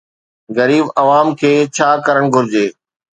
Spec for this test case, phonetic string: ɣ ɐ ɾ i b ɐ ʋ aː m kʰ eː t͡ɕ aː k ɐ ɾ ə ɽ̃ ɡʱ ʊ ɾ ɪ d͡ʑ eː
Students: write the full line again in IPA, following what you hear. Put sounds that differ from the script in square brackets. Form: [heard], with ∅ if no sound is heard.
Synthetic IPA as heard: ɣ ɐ ɾ [iː] b ɐ ʋ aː m kʰ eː [t͡ɕʰ] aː k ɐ ɾ ə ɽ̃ ɡʱ ʊ ɾ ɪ d͡ʑ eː